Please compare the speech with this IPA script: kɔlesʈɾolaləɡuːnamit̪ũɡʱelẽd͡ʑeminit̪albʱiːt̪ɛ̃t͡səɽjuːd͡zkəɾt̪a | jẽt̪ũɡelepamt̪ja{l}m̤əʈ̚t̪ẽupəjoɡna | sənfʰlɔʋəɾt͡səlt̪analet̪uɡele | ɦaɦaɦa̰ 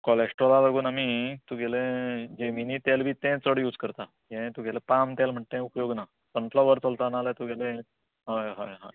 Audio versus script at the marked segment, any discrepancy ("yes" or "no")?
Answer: no